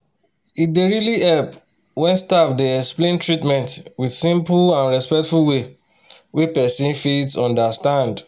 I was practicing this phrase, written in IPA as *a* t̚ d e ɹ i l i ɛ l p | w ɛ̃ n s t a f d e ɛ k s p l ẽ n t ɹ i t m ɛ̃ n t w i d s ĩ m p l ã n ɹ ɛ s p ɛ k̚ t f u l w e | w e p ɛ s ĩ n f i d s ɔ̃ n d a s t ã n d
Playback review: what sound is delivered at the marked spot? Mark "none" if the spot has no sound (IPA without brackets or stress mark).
i